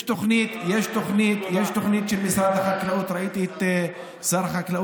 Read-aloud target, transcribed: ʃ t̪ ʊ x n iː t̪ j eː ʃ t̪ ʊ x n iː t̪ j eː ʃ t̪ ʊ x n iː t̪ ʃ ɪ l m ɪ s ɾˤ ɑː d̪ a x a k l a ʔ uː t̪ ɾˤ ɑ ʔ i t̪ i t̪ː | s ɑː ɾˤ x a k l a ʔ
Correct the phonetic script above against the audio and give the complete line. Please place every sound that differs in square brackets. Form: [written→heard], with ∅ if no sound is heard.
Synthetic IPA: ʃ t̪ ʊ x n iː t̪ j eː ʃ t̪ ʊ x n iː t̪ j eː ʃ t̪ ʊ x n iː t̪ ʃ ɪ l m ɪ s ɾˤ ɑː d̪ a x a k l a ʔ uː t̪ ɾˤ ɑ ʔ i t̪ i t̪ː | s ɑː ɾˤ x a k l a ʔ